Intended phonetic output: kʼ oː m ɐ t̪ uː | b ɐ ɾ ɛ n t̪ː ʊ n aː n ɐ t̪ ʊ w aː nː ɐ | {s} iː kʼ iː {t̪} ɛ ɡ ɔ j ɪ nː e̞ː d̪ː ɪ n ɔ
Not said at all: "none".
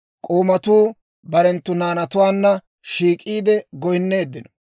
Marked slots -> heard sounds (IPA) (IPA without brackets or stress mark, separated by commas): ʃ, d̪